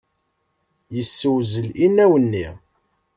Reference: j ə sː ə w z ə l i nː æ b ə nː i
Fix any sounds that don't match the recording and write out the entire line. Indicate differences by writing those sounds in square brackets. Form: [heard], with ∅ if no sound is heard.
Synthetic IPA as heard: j ə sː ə w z ə l i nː æ [w] ə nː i

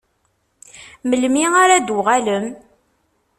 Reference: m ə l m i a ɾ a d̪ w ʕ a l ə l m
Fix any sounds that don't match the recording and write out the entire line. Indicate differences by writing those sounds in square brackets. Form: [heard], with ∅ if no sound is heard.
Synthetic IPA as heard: m ə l m i a ɾ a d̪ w [ʁ] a l ə [∅] m

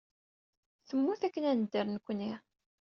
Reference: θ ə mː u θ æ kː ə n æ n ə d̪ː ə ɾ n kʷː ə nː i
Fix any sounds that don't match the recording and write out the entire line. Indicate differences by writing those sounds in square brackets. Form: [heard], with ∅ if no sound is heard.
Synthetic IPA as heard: θ ə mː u θ æ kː ə n æ n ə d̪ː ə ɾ n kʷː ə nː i

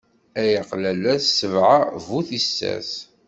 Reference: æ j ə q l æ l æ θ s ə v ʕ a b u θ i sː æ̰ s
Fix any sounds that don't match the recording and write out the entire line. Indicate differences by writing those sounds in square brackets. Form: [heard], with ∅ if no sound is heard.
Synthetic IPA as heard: æ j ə q l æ l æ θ s ə v ʕ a [v] u θ i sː æ̰ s

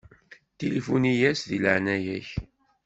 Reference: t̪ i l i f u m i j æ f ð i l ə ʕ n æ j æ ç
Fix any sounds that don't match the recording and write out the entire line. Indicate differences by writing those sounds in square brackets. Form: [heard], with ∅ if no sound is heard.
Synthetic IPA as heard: t̪ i l i f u [n] i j æ [s] ð i l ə ʕ n æ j æ ç

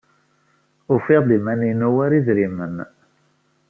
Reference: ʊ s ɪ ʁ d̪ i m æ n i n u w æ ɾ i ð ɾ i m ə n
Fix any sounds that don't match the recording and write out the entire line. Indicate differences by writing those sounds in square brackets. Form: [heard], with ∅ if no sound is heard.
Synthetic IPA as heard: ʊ [f] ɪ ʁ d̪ i m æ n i n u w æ ɾ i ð ɾ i m ə n

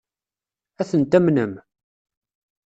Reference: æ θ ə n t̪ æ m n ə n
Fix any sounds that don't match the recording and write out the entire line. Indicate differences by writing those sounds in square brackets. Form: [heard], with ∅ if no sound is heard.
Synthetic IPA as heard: æ θ ə n t̪ æ m n ə [m]

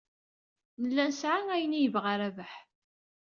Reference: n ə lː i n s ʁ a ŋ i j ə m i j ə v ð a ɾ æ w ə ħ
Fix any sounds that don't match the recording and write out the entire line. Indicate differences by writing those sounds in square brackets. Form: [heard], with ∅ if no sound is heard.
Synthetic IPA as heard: n ə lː [æ] n s [ʕ] a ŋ [æ] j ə [n] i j ə v [ʁ] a ɾ æ [v] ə ħ

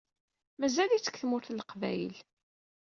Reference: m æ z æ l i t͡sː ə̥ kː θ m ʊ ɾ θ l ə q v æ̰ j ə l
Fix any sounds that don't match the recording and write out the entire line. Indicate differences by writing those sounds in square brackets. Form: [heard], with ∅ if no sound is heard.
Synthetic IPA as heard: m æ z æ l i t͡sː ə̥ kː θ m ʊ ɾ θ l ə q v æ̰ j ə l

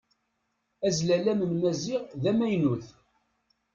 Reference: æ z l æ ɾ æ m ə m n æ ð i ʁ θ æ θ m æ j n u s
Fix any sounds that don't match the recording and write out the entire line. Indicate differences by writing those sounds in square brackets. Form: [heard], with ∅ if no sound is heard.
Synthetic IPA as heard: æ z l æ [l] æ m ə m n æ [z] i ʁ [ð] æ [∅] m æ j n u [θ]

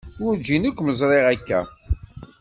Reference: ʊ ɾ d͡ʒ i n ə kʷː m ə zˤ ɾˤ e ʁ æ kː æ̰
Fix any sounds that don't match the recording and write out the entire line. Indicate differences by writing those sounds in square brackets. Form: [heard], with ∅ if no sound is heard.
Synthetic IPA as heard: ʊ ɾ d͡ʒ i n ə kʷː m ə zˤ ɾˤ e ʁ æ kː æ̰

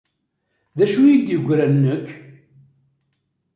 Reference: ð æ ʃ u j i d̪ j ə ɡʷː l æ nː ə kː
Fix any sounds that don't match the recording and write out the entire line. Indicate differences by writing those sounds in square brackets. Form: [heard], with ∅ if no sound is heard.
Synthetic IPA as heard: ð æ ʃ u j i d̪ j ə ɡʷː [ɾ] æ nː ə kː

